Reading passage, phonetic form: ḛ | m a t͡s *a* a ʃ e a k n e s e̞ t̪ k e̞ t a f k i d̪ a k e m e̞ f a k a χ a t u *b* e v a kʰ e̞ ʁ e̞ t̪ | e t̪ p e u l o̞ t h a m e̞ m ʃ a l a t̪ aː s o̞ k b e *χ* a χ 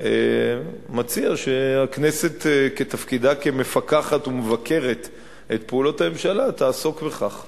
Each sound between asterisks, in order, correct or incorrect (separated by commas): incorrect, incorrect, correct